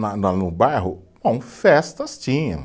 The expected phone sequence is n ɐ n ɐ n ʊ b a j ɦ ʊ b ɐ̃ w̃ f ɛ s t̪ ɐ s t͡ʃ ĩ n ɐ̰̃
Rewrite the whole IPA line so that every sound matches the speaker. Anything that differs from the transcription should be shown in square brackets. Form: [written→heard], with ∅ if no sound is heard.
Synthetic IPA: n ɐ n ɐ n ʊ b a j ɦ ʊ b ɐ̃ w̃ f ɛ s t̪ ɐ s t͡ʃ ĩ [n→ɲ] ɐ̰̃